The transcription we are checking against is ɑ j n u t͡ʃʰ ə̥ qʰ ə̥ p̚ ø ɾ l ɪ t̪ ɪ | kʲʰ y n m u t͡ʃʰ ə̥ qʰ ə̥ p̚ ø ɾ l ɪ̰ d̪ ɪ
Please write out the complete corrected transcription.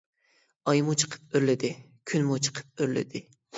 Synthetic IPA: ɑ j m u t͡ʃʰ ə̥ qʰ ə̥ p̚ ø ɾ l ɪ d̪ ɪ | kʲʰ y n m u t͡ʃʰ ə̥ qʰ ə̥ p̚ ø ɾ l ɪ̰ d̪ ɪ